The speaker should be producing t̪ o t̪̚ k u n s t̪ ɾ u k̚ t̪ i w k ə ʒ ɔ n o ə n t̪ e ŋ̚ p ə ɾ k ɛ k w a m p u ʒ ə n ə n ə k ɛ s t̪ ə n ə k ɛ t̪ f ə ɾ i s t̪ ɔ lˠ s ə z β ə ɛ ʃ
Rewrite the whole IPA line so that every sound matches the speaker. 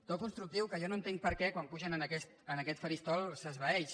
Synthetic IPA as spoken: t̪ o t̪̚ k u n s t̪ ɾ u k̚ t̪ i w k ə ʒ ɔ n o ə n t̪ e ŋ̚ p ə ɾ k ɛ k w a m p u ʒ ə n ə n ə k ɛ s t̪ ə n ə k ɛ t̪ f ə ɾ i s t̪ ɔ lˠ s ə z β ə ɛ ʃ